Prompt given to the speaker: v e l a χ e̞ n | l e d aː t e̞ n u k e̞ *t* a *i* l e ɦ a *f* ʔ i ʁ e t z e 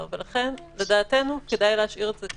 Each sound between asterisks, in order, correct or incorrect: incorrect: d, incorrect: j, incorrect: ʃ

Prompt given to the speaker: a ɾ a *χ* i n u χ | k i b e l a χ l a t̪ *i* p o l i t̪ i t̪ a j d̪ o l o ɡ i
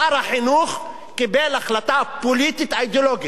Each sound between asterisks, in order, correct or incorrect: incorrect: ħ, incorrect: a

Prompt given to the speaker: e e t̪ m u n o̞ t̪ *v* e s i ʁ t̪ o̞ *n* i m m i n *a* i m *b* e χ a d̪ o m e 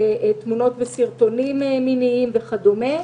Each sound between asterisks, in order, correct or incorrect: correct, correct, incorrect: i, incorrect: v

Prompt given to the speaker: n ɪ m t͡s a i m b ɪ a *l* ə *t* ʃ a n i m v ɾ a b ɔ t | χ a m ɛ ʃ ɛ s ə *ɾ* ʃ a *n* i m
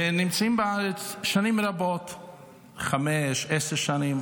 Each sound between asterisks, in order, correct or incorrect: incorrect: ɾ, incorrect: t͡s, correct, correct

